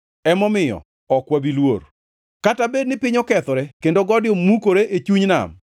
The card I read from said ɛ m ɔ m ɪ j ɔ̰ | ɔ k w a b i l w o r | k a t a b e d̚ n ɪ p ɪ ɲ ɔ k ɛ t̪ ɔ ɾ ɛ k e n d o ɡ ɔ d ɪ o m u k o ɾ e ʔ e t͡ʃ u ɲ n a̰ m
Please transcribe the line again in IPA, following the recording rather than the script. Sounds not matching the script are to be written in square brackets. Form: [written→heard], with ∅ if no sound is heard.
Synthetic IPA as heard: ɛ m ɔ m ɪ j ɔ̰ | ɔ k w a b i l w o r | k a t a b e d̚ n ɪ p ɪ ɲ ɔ k ɛ t̪ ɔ ɾ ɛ k e n d o ɡ ɔ d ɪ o m u k o ɾ e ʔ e t͡ʃ u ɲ n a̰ m